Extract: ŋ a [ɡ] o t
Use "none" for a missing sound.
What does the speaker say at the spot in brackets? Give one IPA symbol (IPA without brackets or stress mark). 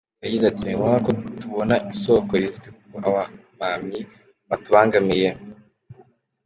k